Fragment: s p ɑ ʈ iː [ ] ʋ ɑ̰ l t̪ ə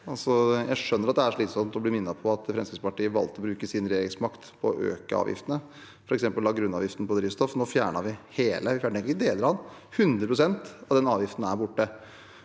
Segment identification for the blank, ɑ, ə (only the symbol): ə